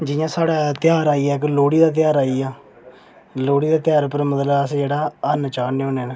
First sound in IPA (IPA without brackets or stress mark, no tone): d͡ʒ